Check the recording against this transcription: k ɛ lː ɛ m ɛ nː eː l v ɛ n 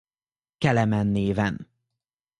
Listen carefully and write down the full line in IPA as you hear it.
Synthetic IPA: k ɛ l ɛ m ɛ nː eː v ɛ n